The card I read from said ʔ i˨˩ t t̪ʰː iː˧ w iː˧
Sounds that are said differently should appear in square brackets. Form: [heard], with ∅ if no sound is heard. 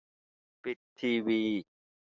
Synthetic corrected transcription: [p] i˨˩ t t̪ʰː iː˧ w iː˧